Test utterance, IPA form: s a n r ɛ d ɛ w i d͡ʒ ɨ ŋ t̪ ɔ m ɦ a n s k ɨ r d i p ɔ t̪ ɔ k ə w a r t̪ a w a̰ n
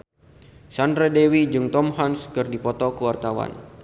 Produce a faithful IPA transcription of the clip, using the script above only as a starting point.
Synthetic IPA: s a n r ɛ d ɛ w i d͡ʒ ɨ ŋ t̪ ɔ m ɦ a n s k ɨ r d i p ɔ t̪ ɔ k ə w a r t̪ a w a̰ n